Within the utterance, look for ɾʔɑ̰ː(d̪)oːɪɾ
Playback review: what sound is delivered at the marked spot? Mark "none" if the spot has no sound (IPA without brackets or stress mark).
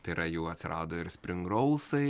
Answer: d̪